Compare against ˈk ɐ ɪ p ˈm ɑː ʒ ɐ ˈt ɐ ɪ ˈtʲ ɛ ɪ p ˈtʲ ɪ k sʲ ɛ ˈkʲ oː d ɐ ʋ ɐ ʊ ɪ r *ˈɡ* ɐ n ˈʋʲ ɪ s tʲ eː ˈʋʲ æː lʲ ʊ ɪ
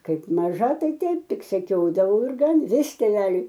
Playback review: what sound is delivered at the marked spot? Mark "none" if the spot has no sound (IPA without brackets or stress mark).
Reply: ɡ